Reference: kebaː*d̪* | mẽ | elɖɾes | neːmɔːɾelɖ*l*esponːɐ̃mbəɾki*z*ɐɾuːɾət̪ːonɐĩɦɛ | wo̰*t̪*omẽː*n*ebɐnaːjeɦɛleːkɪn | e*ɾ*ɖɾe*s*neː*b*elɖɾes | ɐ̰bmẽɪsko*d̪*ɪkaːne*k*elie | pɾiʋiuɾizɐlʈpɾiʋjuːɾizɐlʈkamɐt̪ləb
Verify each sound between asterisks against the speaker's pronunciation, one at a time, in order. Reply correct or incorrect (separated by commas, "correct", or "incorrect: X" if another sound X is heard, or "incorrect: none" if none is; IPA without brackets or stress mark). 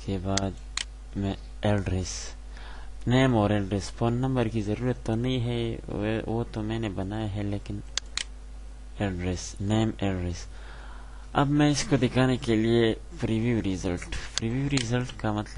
correct, incorrect: ɾ, correct, correct, correct, incorrect: l, correct, incorrect: m, correct, correct